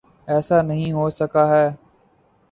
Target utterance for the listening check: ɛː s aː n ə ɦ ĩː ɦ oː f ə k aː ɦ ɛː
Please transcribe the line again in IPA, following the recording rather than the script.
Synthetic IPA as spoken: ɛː s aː n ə ɦ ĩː ɦ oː s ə k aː ɦ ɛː